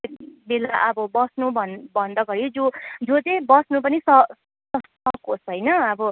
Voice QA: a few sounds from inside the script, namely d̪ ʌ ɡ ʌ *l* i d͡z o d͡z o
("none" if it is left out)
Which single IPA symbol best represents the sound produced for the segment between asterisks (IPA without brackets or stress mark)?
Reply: ɾ